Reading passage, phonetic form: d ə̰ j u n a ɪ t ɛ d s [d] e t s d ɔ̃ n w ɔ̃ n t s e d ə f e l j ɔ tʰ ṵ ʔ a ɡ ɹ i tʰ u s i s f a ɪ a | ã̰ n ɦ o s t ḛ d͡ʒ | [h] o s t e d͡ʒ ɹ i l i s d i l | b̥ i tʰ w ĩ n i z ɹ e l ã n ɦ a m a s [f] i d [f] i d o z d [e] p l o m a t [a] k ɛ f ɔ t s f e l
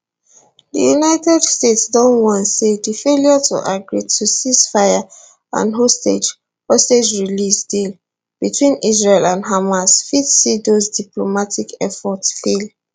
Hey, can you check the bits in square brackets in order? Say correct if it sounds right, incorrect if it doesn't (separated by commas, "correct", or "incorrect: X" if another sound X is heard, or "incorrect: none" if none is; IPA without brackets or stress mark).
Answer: incorrect: t, correct, correct, incorrect: s, incorrect: i, incorrect: i